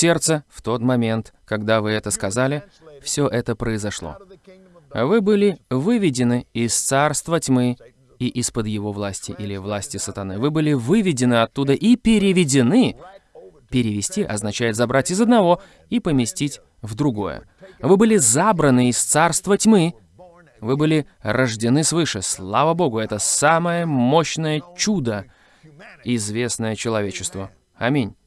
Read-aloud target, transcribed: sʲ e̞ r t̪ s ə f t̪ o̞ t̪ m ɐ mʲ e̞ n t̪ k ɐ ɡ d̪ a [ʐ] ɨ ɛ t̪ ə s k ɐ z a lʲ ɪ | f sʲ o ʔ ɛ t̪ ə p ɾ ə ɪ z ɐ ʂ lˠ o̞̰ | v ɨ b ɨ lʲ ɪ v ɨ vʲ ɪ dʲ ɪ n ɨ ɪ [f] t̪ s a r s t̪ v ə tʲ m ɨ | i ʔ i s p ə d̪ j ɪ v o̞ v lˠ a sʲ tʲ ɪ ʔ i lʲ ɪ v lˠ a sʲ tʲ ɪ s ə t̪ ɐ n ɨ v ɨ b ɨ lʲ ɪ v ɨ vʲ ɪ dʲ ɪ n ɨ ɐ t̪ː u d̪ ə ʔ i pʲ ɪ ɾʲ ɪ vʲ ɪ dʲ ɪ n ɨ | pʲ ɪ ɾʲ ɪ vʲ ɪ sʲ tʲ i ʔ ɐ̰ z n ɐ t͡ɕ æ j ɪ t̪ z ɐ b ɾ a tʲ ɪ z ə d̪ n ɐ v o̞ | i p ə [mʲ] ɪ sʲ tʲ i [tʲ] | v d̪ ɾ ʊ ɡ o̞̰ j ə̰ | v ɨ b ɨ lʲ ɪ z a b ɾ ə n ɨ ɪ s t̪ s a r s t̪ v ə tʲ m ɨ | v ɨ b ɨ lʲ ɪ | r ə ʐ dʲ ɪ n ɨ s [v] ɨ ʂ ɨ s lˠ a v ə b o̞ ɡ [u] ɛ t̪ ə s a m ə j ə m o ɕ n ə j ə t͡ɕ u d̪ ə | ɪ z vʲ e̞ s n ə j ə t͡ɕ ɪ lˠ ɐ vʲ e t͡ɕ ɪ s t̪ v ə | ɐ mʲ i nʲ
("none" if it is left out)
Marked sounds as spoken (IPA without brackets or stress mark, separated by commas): v, s, mʲ, tʲ, v, ʊ